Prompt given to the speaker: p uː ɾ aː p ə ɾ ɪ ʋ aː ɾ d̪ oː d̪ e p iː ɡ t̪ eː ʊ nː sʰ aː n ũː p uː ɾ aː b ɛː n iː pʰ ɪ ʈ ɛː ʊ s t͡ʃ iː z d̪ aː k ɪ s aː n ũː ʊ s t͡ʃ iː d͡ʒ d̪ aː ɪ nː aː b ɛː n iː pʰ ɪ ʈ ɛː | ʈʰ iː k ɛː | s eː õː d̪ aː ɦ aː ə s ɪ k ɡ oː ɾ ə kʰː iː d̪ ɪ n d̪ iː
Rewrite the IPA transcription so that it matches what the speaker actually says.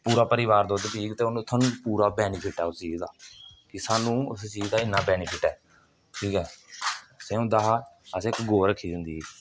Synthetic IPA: p uː ɾ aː p ə ɾ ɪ ʋ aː ɾ d̪ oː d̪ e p iː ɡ t̪ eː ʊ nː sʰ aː n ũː p uː ɾ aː b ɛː n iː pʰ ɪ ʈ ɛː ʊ s t͡ʃ iː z d̪ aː k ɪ s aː n ũː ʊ s t͡ʃ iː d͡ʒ d̪ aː ɪ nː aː b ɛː n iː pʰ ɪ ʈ ɛː | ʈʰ iː k ɛː | s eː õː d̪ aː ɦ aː ə s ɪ k ɡ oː ɾ ə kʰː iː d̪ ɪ n d̪ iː